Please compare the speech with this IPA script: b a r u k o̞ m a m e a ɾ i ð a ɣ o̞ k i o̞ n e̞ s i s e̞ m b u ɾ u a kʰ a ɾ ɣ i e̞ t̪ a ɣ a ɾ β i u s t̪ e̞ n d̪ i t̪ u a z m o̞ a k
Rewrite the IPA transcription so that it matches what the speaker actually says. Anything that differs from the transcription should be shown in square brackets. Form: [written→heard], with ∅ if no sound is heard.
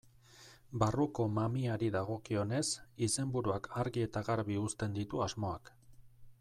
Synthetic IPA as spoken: b a r u k o̞ m a m [e→i] a ɾ i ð a ɣ o̞ k i o̞ n e̞ s i s e̞ m b u ɾ u a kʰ a ɾ ɣ i e̞ t̪ a ɣ a ɾ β i u s t̪ e̞ n d̪ i t̪ u a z m o̞ a k